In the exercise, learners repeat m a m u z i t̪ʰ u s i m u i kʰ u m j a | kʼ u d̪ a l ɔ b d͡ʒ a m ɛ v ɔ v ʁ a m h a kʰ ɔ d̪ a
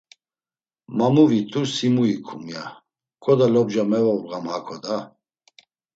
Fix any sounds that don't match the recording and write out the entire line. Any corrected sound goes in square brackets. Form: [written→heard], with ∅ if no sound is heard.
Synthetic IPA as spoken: m a m u [z→v] i t̪ʰ u s i m u i kʰ u m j a | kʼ [u→ɔ] d̪ a l ɔ b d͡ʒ a m ɛ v ɔ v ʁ a m h a kʰ ɔ d̪ a